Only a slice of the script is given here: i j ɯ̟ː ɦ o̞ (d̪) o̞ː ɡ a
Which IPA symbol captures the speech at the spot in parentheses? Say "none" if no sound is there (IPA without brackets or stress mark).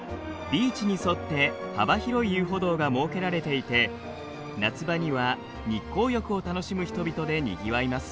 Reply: d̪